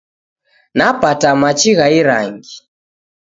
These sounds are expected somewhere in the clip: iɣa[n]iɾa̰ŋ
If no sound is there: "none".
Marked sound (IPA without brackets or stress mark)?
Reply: none